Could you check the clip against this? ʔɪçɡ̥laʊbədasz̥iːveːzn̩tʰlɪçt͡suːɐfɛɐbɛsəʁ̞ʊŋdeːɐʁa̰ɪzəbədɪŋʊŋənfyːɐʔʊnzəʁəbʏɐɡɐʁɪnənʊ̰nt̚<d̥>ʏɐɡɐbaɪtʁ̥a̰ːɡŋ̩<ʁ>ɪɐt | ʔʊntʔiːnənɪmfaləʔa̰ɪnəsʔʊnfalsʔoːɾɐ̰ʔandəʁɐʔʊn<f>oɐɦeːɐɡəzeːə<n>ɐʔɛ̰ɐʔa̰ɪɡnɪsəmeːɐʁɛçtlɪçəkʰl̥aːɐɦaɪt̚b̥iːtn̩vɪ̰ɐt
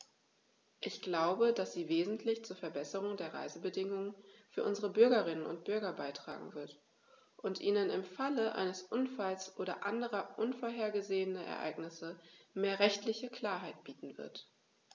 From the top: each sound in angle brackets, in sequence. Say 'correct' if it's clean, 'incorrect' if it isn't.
incorrect, incorrect, correct, correct

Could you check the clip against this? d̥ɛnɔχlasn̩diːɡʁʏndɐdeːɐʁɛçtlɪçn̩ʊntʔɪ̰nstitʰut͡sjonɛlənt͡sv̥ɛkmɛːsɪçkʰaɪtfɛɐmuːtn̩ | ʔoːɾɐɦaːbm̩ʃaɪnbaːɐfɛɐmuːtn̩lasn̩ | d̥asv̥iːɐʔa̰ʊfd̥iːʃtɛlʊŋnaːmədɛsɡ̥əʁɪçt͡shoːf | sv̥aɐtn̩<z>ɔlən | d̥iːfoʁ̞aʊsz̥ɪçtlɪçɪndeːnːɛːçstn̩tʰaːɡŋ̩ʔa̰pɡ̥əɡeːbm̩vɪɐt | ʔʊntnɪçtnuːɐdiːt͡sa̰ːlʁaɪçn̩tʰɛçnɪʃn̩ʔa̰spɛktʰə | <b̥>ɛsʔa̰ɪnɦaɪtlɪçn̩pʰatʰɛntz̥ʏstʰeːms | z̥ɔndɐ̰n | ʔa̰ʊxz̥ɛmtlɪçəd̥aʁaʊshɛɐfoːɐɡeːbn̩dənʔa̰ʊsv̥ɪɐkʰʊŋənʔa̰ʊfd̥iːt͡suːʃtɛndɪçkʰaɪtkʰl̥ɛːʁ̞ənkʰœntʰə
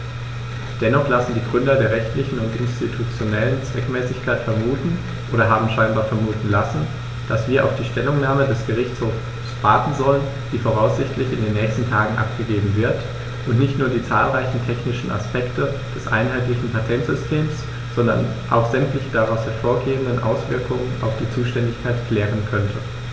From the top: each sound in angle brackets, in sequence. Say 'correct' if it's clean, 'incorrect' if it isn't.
correct, incorrect

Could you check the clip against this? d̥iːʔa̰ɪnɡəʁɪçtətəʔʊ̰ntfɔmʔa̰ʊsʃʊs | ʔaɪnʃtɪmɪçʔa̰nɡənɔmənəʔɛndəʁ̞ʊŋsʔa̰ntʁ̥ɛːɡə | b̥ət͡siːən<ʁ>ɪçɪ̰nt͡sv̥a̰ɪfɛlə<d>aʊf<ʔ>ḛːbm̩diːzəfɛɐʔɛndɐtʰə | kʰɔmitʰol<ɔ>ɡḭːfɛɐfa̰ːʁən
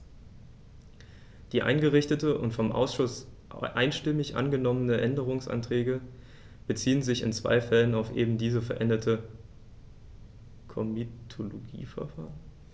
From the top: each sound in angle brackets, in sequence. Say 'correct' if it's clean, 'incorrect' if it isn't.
incorrect, incorrect, correct, incorrect

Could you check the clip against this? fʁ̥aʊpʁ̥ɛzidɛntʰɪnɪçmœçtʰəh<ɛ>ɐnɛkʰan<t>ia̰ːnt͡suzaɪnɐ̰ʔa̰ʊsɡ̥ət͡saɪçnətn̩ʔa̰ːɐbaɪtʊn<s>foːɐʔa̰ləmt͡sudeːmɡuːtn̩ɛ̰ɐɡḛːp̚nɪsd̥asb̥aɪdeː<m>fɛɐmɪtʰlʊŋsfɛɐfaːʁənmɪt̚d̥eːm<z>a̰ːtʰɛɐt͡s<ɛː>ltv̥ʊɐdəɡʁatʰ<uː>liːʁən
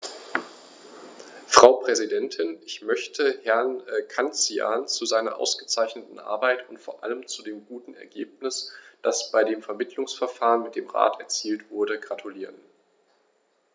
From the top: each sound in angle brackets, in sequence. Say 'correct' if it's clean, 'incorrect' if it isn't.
correct, incorrect, incorrect, correct, incorrect, incorrect, incorrect

